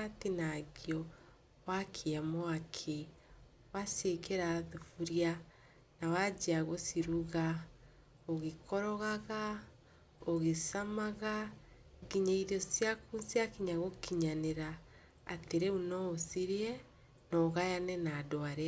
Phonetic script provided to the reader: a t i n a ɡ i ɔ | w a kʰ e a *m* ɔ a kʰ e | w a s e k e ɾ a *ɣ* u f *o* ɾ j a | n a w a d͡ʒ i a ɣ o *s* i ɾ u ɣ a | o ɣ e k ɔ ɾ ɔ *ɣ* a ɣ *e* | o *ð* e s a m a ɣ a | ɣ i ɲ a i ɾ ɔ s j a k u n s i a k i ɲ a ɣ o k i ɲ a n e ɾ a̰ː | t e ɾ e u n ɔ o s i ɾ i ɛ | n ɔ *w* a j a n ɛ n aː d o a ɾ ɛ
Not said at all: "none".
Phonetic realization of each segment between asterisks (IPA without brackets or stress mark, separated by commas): m, ð, u, s, ɣ, a, ɣ, ɣ